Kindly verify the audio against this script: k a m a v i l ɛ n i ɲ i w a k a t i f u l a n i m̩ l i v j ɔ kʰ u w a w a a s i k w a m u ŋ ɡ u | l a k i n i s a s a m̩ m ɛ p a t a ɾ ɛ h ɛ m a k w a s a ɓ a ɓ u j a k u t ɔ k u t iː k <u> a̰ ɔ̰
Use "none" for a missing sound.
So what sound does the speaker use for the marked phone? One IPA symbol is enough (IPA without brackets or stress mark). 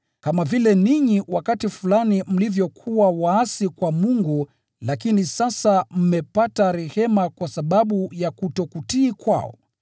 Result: w